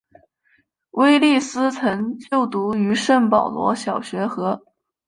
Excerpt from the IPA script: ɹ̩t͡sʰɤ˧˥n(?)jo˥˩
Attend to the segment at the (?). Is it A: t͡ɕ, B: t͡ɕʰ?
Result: A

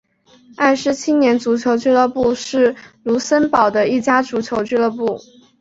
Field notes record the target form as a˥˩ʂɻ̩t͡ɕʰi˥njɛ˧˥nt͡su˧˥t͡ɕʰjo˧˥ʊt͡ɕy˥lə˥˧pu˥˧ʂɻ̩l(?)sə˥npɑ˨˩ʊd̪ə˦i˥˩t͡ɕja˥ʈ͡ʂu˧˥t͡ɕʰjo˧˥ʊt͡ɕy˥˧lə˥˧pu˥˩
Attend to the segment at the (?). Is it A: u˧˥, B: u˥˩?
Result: A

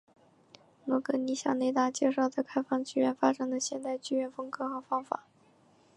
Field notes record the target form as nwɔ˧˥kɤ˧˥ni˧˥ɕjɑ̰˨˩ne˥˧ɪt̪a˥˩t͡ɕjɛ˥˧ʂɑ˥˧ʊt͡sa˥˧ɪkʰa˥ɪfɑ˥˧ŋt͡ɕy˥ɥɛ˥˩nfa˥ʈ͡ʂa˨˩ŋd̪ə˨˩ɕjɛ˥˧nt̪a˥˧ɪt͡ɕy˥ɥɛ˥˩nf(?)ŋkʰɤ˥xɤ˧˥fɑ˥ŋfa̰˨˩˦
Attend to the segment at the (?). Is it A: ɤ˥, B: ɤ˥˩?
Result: A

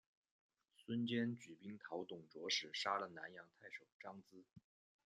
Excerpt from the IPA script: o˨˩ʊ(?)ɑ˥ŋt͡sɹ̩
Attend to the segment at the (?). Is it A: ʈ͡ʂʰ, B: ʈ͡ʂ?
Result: B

